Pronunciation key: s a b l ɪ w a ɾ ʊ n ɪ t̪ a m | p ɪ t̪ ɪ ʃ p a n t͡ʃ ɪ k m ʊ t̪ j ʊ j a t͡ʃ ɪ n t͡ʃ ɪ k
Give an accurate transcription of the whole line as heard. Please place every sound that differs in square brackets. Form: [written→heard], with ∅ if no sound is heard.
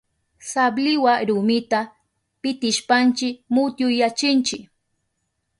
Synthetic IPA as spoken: s a b l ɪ w a ɾ ʊ [n→m] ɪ t̪ a [m→∅] | p ɪ t̪ ɪ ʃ p a n t͡ʃ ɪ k m ʊ t̪ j ʊ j a t͡ʃ ɪ n t͡ʃ ɪ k